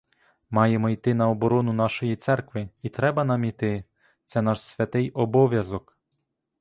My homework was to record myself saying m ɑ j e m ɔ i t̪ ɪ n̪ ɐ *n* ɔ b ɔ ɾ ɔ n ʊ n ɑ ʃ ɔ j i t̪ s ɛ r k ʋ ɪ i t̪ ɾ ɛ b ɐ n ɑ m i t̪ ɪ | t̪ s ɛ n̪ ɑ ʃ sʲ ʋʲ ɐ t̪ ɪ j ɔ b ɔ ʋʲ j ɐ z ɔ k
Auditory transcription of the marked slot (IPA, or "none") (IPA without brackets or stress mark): none